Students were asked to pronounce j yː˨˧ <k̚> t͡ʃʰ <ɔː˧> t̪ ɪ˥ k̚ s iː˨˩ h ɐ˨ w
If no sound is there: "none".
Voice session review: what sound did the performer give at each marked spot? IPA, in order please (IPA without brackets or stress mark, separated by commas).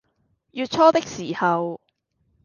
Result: t̚, ɔː˥